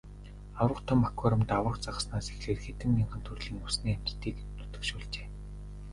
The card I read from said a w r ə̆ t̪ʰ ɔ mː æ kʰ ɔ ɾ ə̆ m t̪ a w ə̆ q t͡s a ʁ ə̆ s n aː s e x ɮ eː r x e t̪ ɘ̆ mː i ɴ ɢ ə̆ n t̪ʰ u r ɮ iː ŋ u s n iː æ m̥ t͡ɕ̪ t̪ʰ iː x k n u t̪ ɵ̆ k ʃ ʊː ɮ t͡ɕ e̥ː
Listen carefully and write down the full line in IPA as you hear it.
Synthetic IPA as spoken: a w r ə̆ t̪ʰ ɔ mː a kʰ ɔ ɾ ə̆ m t̪ a w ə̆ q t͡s a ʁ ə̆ s n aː s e x ɮ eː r x e t̪ ɘ̆ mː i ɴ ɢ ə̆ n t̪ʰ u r ɮ iː ŋ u s n iː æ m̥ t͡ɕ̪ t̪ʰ iː k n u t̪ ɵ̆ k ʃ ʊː ɮ t͡ɕ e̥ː